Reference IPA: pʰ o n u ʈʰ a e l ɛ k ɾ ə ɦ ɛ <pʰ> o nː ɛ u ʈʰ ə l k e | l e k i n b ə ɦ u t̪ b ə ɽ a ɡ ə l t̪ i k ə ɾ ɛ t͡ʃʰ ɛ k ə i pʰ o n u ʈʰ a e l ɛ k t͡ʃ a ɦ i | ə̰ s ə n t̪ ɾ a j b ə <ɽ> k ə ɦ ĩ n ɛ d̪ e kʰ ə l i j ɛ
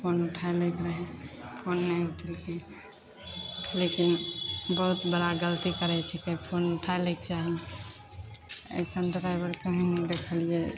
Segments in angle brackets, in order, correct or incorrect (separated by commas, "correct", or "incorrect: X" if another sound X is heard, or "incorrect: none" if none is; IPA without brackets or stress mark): correct, incorrect: ɾ